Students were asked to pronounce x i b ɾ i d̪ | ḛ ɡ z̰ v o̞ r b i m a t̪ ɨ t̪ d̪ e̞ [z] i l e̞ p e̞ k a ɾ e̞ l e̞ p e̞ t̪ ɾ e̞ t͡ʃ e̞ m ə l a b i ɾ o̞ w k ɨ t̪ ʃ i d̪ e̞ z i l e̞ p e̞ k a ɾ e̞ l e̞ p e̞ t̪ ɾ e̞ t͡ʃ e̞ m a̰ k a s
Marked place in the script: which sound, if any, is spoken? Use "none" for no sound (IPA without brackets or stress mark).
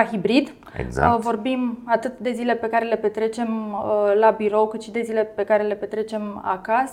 z